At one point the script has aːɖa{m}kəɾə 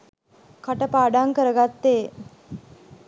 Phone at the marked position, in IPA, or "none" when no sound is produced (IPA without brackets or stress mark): ŋ